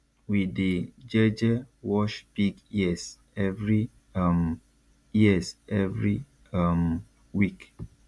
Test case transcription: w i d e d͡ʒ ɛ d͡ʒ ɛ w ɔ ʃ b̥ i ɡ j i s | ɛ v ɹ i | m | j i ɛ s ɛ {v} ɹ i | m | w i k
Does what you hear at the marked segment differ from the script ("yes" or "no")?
no